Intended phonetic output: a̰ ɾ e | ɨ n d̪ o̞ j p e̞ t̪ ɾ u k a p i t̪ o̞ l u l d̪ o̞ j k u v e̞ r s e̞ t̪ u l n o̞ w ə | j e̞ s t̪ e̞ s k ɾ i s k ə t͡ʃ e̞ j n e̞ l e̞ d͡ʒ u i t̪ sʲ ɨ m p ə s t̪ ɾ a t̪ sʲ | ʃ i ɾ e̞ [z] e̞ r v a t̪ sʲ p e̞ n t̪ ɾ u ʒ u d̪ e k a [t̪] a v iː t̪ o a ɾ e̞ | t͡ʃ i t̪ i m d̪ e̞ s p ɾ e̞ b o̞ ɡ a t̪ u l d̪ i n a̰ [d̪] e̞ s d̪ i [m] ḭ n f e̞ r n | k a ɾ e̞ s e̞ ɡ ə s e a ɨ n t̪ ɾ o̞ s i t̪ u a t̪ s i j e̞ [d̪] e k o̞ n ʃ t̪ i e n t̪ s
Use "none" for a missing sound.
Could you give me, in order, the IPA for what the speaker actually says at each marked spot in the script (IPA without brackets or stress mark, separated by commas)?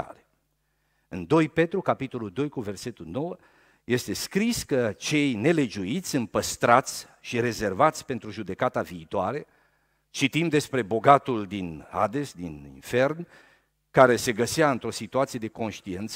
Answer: z, t̪, d̪, n, d̪